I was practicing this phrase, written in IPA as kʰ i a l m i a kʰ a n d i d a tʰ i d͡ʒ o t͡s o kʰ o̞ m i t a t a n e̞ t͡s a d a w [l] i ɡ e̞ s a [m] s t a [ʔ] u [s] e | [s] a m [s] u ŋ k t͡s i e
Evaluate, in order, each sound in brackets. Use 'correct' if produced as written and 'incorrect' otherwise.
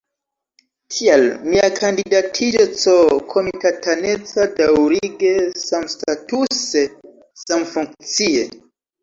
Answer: incorrect: ɾ, correct, incorrect: t, correct, correct, incorrect: f

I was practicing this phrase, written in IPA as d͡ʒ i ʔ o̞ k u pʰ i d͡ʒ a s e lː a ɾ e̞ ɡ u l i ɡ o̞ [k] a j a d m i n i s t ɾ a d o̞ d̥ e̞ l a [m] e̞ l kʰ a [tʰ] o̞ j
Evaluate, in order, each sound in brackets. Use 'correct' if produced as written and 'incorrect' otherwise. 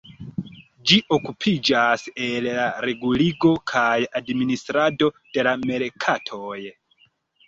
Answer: incorrect: kʰ, correct, correct

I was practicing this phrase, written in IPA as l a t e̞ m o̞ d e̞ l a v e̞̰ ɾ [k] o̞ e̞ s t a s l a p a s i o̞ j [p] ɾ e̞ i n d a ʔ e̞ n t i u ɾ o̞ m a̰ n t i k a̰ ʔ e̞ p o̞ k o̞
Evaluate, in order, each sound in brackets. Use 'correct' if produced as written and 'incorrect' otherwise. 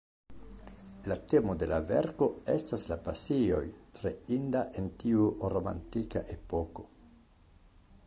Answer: correct, incorrect: t

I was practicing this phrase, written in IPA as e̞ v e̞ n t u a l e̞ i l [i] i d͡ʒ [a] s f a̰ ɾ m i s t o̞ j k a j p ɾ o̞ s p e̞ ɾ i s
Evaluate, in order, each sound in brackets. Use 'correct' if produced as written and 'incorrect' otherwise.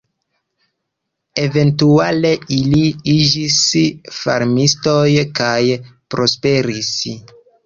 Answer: correct, incorrect: i

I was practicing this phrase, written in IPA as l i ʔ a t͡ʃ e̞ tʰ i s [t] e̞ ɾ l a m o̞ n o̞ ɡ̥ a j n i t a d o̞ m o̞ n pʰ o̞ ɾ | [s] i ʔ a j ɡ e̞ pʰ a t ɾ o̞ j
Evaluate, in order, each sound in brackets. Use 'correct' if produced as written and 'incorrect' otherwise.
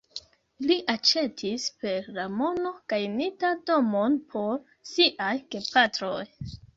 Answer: incorrect: p, correct

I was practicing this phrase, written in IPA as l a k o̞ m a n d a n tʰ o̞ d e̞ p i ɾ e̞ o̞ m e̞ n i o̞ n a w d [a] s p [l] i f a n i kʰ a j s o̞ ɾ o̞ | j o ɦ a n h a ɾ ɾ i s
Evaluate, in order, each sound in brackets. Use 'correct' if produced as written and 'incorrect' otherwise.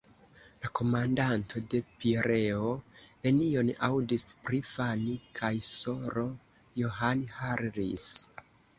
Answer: incorrect: i, incorrect: ɾ

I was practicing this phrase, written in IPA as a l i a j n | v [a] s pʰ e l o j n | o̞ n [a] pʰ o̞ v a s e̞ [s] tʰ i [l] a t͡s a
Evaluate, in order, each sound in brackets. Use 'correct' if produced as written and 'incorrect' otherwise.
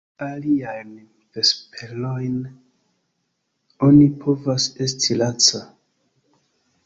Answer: incorrect: e, incorrect: i, correct, correct

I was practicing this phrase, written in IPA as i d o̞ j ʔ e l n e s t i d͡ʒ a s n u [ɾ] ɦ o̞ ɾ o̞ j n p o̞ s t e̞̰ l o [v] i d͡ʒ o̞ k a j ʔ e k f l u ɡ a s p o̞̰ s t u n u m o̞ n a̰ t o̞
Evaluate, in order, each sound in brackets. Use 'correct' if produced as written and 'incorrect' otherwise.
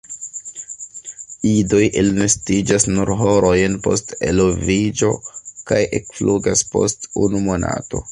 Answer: correct, correct

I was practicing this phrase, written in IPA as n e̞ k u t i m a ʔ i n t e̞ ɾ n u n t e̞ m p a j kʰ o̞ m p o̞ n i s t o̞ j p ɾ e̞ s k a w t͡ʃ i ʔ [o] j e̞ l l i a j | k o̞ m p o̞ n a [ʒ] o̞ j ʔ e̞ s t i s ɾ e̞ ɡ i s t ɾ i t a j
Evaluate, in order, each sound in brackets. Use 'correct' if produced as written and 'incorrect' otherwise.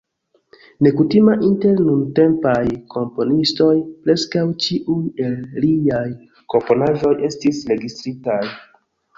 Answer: incorrect: u, correct

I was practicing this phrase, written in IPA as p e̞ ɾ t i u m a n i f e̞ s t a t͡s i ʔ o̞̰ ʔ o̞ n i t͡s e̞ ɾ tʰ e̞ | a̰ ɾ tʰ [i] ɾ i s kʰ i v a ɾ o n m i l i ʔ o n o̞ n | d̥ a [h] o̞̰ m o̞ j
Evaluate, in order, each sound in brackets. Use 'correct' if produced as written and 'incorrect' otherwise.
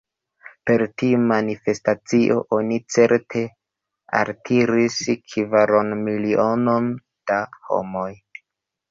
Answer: correct, correct

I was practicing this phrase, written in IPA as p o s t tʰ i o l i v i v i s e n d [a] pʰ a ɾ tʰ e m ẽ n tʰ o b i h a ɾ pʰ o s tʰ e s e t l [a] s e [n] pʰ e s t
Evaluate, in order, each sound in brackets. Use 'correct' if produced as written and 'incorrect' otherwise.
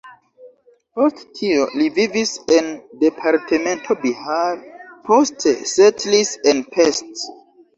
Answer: incorrect: e, incorrect: i, correct

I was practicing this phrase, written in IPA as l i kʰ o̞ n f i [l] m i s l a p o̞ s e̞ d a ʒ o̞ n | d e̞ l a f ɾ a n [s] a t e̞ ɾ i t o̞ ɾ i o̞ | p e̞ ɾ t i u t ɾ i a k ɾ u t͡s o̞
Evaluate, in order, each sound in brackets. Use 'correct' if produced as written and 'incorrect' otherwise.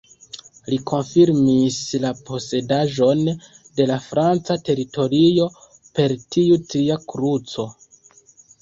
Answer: incorrect: ɾ, incorrect: t͡s

